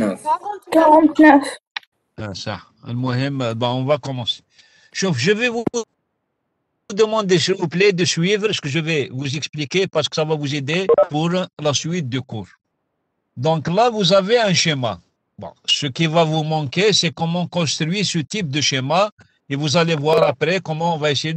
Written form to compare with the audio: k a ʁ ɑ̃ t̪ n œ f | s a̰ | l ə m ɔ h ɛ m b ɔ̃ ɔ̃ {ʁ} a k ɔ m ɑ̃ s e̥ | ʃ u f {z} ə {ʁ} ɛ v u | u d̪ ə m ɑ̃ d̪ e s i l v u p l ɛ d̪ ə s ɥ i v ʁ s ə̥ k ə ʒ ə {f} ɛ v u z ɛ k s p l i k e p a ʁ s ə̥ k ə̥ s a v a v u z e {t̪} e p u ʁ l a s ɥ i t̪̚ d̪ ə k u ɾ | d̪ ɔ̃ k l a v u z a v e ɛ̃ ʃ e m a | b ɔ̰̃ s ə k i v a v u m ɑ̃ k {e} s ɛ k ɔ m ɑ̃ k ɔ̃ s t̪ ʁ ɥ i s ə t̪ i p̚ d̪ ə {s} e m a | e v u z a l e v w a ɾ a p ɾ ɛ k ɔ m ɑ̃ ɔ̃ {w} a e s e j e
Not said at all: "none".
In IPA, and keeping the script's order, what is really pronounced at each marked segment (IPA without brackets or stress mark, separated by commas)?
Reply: v, ʒ, v, v, d̪, e, ʃ, v